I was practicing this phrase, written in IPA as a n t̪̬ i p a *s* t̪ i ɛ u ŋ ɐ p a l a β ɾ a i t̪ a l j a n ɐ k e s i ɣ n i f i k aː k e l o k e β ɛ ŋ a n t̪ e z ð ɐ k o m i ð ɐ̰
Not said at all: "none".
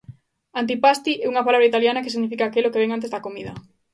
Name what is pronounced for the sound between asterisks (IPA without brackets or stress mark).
s